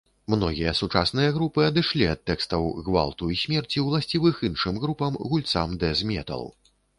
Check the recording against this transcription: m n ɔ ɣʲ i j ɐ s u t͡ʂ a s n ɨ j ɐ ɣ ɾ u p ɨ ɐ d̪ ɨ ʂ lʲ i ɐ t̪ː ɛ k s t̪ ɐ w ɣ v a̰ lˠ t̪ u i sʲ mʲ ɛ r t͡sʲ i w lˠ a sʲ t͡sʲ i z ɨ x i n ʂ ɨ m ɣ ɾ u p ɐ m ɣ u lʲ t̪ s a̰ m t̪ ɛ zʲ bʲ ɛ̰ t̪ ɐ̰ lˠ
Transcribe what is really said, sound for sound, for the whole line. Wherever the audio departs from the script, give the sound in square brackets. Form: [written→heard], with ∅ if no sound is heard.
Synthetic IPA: m n ɔ ɣʲ i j ɐ s u t͡ʂ a s n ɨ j ɐ ɣ ɾ u p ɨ ɐ d̪ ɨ ʂ lʲ i ɐ t̪ː ɛ k s t̪ ɐ w ɣ v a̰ lˠ t̪ u i sʲ mʲ ɛ r t͡sʲ i w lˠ a sʲ t͡sʲ i [z→v] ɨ x i n ʂ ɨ m ɣ ɾ u p ɐ m ɣ u lʲ t̪ s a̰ m [t̪→d̪] ɛ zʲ [bʲ→mʲ] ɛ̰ t̪ ɐ̰ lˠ